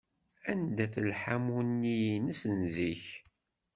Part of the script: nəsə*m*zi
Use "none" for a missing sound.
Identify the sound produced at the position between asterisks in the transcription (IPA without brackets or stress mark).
n